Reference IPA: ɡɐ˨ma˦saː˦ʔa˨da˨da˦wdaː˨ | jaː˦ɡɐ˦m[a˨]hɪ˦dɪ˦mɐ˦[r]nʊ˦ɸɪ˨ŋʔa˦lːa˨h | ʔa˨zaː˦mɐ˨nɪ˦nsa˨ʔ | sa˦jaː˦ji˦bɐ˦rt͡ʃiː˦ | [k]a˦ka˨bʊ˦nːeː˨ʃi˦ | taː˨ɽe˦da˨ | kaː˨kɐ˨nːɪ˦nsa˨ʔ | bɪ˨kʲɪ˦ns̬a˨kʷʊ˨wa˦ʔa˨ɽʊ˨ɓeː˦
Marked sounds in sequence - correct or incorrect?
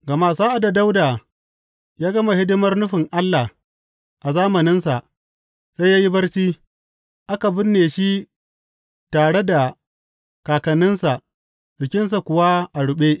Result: correct, correct, incorrect

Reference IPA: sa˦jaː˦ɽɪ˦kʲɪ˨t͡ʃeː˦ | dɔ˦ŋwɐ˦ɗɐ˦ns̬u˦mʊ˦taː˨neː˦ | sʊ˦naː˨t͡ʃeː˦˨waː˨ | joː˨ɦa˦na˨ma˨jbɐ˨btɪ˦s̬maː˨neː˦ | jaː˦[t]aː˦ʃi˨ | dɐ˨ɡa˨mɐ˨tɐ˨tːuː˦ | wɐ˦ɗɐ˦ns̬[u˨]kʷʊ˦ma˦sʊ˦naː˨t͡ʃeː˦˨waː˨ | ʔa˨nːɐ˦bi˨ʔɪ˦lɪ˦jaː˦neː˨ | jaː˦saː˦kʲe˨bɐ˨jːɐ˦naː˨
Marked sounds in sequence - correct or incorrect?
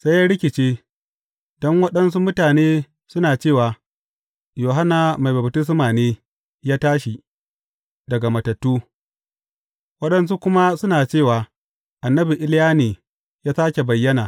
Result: correct, incorrect

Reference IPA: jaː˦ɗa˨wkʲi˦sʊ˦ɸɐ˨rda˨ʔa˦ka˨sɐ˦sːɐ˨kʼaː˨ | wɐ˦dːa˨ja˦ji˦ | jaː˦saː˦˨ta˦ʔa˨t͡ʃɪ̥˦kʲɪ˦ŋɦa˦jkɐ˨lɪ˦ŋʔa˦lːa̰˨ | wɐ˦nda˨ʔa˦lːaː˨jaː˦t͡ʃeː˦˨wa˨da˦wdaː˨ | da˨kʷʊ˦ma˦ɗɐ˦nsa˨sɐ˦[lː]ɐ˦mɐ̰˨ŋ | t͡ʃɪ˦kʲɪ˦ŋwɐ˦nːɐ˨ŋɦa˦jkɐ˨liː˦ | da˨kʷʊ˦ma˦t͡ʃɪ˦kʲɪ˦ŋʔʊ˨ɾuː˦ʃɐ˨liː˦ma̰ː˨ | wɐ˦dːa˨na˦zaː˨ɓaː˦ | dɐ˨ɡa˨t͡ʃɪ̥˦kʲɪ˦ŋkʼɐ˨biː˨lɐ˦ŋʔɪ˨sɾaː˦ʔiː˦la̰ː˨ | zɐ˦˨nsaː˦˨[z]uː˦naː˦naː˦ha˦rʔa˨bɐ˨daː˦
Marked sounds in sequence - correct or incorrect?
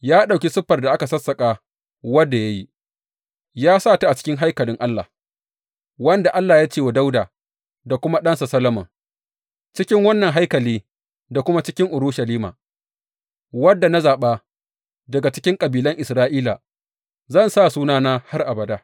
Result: incorrect, incorrect

